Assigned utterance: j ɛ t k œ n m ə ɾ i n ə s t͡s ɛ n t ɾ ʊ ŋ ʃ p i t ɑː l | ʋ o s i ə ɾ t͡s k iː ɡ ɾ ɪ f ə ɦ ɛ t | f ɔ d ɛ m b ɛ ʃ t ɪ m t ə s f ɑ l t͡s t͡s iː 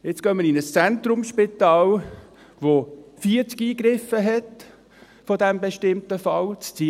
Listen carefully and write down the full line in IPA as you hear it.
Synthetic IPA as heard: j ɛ t͡s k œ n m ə ɾ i n ə s t͡s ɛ n t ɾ ʊ m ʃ p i t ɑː l | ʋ o f i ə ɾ t͡s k iː ɡ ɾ ɪ f ə ɦ ɛ t | f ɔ d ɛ m b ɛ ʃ t ɪ m t ə f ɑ l t͡s t͡s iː